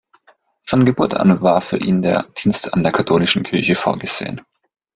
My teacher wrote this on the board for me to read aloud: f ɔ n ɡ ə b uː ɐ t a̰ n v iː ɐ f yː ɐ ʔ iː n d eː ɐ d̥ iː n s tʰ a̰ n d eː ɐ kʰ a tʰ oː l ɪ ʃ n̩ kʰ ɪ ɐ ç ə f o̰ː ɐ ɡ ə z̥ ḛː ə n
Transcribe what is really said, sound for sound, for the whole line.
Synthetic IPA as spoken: f ɔ n ɡ ə b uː ɐ t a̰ n v aː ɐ f yː ɐ ʔ iː n d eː ɐ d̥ iː n s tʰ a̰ n d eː ɐ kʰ a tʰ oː l ɪ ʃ n̩ kʰ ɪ ɐ ç ə f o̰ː ɐ ɡ ə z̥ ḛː ə n